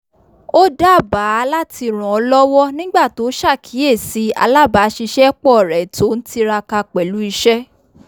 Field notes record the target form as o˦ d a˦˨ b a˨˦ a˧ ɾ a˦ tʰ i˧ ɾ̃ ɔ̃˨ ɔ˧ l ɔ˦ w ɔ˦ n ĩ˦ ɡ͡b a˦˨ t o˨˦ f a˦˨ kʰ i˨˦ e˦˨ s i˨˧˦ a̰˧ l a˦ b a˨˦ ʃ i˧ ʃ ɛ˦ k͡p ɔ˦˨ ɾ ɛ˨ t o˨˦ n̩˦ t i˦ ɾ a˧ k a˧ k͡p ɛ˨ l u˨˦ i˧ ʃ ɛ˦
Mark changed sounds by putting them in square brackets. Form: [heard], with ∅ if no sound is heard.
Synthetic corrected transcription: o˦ d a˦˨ b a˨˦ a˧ [l] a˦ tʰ i˧ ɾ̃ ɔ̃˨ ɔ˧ l ɔ˦ w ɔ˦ n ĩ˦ ɡ͡b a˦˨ t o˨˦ [ʃ] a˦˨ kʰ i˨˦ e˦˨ s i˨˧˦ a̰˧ l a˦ b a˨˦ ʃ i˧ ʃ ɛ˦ k͡p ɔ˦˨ ɾ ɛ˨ t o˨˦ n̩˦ t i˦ ɾ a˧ k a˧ k͡p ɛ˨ l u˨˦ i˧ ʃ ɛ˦